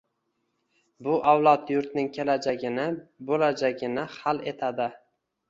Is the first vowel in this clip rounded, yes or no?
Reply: yes